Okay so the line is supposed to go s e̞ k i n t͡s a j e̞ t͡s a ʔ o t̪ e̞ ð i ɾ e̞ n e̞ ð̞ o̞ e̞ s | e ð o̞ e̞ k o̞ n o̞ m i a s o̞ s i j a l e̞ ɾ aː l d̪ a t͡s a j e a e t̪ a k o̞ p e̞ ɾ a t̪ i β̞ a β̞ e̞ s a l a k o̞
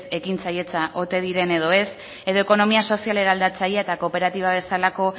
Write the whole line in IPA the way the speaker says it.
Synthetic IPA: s e̞ k i n t͡s a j e̞ t͡s a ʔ o t̪ e̞ ð i ɾ e̞ n e̞ ð̞ o̞ e̞ s | e ð o̞ e̞ k o̞ n o̞ m i a s o̞ s i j a l e̞ ɾ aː l d̪ a t͡s a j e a e t̪ a k o̞ p e̞ ɾ a t̪ i β̞ a β̞ e̞ s a l a k o̞